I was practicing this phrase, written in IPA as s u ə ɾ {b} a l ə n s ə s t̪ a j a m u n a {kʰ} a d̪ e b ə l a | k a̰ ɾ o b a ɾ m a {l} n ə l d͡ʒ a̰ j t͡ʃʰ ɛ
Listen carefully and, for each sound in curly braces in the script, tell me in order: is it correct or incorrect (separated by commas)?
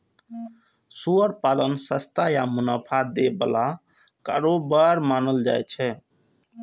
incorrect, incorrect, incorrect